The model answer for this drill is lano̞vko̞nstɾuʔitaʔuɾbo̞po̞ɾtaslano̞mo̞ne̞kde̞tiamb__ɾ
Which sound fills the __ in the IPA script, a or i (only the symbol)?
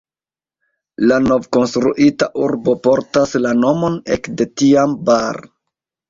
a